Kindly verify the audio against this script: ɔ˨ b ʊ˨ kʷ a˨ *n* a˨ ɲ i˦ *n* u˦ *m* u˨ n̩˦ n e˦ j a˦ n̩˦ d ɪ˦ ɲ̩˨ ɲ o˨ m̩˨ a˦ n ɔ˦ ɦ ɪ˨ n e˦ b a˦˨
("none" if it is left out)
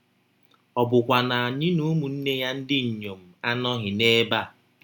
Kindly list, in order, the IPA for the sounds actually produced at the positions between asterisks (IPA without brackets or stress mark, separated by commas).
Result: n, n, m